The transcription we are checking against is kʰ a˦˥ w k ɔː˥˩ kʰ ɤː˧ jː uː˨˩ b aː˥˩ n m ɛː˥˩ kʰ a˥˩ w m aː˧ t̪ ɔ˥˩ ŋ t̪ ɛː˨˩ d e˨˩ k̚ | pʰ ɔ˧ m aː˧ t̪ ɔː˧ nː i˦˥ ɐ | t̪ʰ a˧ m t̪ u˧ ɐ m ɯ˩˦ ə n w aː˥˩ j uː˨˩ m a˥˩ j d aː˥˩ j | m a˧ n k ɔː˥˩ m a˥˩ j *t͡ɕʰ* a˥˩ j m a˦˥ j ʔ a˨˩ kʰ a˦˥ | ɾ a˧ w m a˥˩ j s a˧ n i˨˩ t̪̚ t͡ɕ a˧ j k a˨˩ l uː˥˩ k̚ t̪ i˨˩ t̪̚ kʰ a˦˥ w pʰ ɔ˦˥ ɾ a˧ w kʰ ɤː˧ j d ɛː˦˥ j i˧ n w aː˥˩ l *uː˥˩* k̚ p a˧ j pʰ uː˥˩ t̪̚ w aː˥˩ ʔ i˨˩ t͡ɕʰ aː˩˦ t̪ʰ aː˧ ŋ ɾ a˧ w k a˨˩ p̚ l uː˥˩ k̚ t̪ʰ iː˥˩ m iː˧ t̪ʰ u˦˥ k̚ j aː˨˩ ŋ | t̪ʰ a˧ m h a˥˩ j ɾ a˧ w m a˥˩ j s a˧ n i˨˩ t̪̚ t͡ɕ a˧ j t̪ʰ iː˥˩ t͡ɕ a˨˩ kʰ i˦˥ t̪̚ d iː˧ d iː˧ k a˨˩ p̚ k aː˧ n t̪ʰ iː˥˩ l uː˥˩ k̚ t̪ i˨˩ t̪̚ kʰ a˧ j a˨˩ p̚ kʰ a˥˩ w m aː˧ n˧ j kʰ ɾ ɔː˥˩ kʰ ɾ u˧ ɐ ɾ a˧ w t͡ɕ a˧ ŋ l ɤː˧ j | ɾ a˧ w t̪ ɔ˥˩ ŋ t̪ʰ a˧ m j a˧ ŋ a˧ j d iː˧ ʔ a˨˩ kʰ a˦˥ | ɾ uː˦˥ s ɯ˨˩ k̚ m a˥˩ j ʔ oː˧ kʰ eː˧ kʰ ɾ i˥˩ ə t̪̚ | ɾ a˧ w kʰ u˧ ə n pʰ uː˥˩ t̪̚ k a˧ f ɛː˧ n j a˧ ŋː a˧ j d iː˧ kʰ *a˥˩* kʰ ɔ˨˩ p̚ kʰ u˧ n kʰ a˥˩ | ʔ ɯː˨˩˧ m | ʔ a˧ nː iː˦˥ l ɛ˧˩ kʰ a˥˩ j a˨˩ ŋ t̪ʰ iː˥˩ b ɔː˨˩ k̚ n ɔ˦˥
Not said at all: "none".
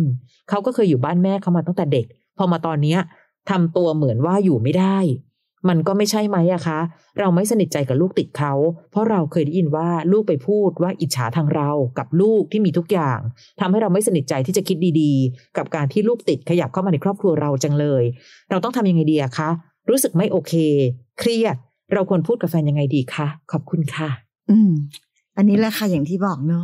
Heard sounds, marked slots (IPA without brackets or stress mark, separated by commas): t͡ɕʰ, uː˥˩, a˦˥